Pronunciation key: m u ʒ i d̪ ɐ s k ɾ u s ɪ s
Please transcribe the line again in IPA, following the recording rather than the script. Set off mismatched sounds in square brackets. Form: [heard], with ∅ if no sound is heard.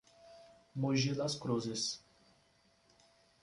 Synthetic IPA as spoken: m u ʒ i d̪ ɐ s k ɾ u [z] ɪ s